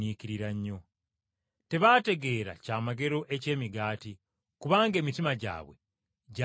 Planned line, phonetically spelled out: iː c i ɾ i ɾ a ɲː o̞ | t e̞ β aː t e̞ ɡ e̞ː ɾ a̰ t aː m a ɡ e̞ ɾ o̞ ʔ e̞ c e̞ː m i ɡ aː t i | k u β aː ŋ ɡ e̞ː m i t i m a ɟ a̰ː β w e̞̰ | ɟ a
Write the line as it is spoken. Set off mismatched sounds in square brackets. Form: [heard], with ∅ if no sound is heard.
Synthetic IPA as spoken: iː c i ɾ i ɾ a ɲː o̞ | t e̞ β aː t e̞ ɡ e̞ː ɾ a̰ [c] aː m a ɡ e̞ ɾ o̞ ʔ e̞ c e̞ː m i ɡ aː t i | k u β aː ŋ ɡ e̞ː m i t i m a ɟ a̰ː β w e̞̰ | ɟ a